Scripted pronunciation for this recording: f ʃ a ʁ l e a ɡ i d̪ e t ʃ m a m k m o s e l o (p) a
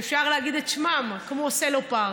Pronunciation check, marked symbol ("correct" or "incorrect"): correct